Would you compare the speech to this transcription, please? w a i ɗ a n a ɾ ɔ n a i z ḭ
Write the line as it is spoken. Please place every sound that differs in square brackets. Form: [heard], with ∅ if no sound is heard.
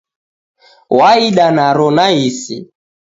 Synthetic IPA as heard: w a i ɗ a n a ɾ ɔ n a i [s] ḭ